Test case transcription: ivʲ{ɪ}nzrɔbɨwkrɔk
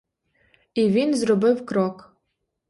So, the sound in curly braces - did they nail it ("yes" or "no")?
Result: no